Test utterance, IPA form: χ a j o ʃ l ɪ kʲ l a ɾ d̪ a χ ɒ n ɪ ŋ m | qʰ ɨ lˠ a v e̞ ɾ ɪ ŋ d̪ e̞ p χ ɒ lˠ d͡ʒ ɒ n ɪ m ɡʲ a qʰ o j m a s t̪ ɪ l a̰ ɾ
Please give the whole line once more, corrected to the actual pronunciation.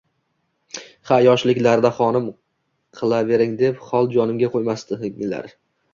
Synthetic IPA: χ a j ɒ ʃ l ɪ kʲ l a ɾ d̪ a χ ɒ n ɪ m | qʰ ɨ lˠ a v e̞ ɾ ɪ ŋ d̪ e̞ p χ ɒ lˠ d͡ʒ ɒ n ɪ m ɡʲ a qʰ o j m a s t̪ ɪ l a̰ ɾ